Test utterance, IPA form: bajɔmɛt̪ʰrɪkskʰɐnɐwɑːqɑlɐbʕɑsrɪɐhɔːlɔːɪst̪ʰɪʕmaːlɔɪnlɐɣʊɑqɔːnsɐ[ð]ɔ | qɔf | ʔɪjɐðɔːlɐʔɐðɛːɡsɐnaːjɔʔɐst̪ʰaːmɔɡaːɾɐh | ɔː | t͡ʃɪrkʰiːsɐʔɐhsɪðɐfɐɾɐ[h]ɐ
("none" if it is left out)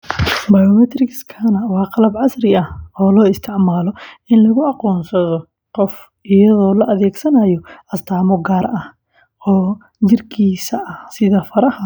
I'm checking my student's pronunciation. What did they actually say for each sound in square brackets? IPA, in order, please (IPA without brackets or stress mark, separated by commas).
ð, h